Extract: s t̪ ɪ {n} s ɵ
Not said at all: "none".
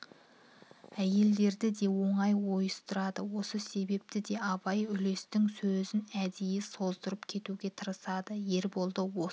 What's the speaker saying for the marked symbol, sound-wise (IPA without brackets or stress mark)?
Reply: ŋ